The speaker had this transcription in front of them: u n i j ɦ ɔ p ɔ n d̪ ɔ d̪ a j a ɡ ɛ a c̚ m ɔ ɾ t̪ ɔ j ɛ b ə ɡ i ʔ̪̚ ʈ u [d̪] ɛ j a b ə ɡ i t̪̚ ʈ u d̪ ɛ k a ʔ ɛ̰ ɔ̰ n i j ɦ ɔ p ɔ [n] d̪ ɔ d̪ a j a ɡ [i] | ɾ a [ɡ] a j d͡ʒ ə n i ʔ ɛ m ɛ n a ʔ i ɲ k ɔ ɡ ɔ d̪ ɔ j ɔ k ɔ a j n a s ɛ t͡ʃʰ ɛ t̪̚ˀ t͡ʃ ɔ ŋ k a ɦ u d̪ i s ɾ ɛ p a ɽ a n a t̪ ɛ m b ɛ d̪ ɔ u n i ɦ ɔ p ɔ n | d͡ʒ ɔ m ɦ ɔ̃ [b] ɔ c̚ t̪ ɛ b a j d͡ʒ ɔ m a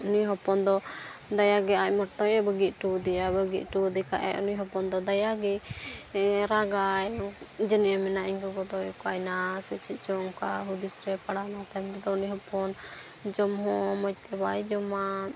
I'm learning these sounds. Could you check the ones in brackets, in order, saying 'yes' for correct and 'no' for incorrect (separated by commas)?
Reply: yes, yes, no, yes, no